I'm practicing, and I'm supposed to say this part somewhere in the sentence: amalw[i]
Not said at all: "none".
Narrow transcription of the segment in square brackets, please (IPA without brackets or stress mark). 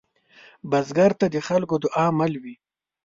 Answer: i